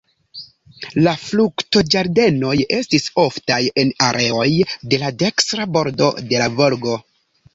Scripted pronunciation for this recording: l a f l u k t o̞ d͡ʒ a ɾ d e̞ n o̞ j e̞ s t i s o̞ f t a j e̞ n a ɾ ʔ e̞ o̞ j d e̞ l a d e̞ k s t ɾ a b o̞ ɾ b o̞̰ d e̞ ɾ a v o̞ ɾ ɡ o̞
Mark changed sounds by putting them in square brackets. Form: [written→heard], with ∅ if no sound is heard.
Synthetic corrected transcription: l a f l u k t o̞ d͡ʒ a ɾ d e̞ n o̞ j e̞ s t i s o̞ f t a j e̞ n a ɾ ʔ e̞ o̞ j d e̞ l a d e̞ k s t ɾ a b o̞ ɾ [b→d] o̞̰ d e̞ [ɾ→l] a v o̞ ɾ ɡ o̞

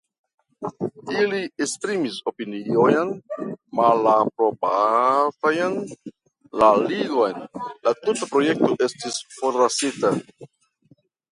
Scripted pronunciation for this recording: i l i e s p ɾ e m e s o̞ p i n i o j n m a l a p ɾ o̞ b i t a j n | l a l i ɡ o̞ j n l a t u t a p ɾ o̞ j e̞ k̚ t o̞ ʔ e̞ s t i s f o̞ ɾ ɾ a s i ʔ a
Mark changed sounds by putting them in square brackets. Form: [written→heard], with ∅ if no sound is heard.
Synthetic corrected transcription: i l i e s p ɾ [e→i] m [e→i] s o̞ p i n i o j n m a l a p ɾ o̞ b [i→a] t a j n | l a l i ɡ o̞ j n l a t u t a p ɾ o̞ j e̞ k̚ t o̞ ʔ e̞ s t i s f o̞ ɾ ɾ a s i [ʔ→t] a

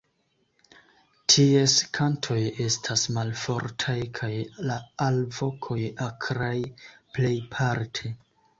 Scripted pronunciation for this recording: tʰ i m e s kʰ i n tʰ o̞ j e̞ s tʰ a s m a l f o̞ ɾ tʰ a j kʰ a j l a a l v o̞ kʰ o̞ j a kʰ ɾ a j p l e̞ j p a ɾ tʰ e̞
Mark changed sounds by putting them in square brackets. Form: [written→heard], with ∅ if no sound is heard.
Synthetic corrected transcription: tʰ i [m→∅] e s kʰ [i→a] n tʰ o̞ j e̞ s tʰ a s m a l f o̞ ɾ tʰ a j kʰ a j l a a l v o̞ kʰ o̞ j a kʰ ɾ a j p l e̞ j [p→pʰ] a ɾ tʰ e̞

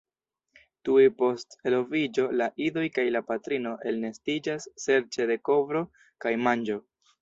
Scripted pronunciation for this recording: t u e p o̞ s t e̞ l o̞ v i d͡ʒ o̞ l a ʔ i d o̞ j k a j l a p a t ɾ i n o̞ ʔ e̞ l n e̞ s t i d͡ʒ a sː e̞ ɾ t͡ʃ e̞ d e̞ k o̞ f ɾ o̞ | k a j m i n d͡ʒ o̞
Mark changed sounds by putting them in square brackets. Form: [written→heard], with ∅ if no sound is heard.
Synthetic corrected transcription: t u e p o̞ s t e̞ l o̞ v i d͡ʒ o̞ l a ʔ i d o̞ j k a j l a p a t ɾ i n o̞ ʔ e̞ l n e̞ s t i d͡ʒ a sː e̞ ɾ t͡ʃ e̞ d e̞ k o̞ [f→v] ɾ o̞ | k a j m [i→a] n d͡ʒ o̞

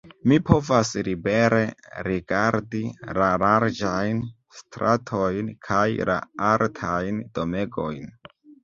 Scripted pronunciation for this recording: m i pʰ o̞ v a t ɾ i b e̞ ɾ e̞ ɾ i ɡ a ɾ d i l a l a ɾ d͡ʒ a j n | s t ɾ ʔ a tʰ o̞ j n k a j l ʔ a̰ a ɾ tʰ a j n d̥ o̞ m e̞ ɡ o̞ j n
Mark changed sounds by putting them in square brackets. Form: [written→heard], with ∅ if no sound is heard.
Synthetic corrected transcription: m i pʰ o̞ v a [t→s] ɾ i b e̞ ɾ e̞ ɾ i ɡ a ɾ d i l a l a ɾ d͡ʒ a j n | s t ɾ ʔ a tʰ o̞ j n [k→kʰ] a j l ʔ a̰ a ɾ tʰ a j n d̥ o̞ m e̞ ɡ o̞ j n

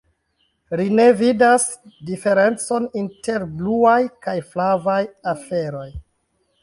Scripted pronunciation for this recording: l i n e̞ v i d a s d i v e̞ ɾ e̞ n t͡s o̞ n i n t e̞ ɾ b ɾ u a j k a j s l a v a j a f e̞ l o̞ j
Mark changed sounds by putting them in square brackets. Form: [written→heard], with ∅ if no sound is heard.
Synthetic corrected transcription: l i n e̞ v i d a s d i [v→f] e̞ ɾ e̞ n t͡s o̞ n i n t e̞ ɾ b [ɾ→l] u a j k a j [s→f] l a v a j a f e̞ [l→ɾ] o̞ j

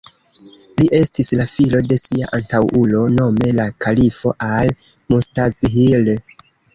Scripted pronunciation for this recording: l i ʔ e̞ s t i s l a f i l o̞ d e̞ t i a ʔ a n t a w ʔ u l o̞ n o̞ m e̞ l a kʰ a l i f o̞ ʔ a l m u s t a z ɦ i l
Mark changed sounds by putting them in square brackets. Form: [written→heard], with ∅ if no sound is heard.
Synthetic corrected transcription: l i ʔ e̞ s t i s l a f i l o̞ d e̞ [t→s] i a ʔ a n t a w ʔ u l o̞ n o̞ m e̞ l a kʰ a l i f o̞ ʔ a l m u s t a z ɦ i l

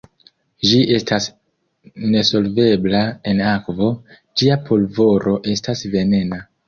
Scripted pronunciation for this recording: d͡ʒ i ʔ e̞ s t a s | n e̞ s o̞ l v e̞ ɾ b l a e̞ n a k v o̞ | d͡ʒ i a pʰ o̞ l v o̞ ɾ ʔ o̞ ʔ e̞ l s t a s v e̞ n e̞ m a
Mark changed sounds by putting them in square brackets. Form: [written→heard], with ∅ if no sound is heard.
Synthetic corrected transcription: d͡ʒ i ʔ e̞ s t a s | n e̞ s o̞ l v e̞ [ɾ→∅] b l a e̞ n a k v o̞ | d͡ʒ i a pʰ o̞ l v o̞ ɾ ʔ o̞ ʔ e̞ [l→∅] s t a s v e̞ n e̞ [m→n] a

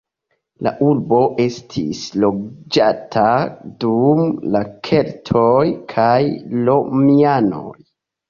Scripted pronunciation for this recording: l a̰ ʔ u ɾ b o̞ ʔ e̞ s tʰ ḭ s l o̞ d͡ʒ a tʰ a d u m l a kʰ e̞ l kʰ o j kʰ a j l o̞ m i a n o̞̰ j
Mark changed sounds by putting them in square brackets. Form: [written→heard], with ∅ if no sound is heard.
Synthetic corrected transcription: l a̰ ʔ u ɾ b o̞ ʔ e̞ s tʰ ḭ s l o̞ d͡ʒ a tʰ a d u m l a kʰ e̞ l [kʰ→tʰ] o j kʰ a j l o̞ m i a n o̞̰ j

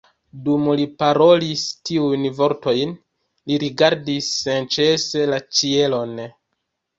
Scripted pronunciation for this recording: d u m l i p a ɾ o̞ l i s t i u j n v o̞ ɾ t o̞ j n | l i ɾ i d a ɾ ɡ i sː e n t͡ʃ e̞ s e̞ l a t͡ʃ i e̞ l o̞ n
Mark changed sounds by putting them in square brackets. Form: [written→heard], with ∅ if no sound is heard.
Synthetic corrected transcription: d u m l i p a ɾ o̞ l i s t i u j n v o̞ ɾ t o̞ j n | l i ɾ i [d→ɡ] a ɾ [ɡ→d] i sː e n t͡ʃ e̞ s e̞ l a t͡ʃ i e̞ l o̞ n

